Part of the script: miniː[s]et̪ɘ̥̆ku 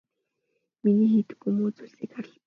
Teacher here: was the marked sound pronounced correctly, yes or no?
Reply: no